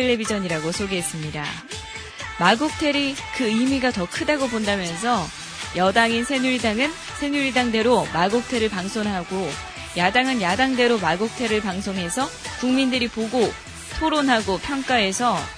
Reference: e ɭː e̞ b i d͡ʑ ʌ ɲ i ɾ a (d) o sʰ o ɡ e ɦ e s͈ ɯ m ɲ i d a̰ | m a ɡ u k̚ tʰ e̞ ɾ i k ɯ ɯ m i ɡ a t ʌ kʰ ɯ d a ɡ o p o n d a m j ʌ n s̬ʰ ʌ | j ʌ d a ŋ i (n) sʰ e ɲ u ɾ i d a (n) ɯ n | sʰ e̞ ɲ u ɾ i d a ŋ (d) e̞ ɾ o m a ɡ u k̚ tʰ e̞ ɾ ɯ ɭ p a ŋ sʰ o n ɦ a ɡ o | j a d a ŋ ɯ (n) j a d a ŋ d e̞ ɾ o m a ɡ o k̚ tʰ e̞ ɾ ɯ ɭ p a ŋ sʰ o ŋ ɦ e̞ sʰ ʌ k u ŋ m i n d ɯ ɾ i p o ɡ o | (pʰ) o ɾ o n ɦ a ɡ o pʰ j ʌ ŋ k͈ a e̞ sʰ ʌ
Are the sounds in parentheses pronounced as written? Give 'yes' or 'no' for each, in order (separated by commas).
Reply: no, yes, no, yes, yes, no